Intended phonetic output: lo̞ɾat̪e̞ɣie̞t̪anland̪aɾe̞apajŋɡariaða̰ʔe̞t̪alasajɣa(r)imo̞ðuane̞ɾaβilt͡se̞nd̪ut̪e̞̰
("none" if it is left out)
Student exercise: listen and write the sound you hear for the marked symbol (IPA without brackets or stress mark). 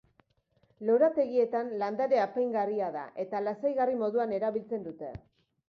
r